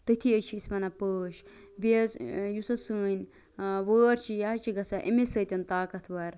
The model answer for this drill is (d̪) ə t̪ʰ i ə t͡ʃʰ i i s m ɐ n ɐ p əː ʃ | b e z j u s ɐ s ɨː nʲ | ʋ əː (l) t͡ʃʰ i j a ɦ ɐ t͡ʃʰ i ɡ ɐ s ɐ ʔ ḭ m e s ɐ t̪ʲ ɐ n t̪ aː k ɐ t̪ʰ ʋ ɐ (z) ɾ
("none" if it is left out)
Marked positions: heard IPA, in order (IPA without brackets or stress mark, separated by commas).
t̪, ɾ, none